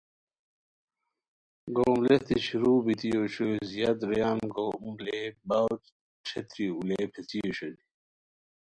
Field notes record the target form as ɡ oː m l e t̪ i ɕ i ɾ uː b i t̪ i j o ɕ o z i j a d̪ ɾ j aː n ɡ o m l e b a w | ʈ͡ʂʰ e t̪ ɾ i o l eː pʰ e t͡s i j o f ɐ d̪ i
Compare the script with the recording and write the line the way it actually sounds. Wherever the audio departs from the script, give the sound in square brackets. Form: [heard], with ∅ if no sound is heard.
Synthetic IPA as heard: ɡ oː m l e t̪ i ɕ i ɾ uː b i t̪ i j o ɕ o z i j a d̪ ɾ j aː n ɡ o m l e b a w | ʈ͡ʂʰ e t̪ ɾ i [u] l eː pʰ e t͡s i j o [ɕ] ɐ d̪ i